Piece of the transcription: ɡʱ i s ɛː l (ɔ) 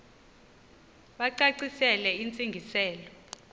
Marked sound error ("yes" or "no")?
no